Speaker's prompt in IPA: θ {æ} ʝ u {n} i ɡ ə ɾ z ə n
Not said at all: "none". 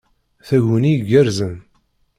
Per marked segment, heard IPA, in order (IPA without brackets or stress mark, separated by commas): æ, n